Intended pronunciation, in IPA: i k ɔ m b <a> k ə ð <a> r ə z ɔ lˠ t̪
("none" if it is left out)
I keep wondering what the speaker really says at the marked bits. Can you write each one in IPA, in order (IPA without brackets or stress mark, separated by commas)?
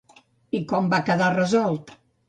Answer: a, a